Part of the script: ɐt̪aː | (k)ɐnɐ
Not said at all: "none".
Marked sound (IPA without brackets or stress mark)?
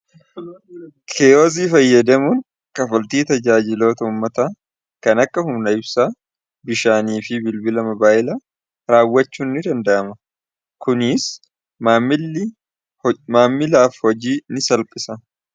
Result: k